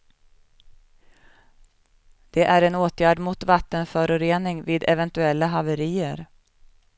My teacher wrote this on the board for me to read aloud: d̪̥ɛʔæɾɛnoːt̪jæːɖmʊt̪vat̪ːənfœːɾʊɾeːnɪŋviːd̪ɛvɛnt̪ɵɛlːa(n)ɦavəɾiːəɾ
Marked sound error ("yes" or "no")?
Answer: yes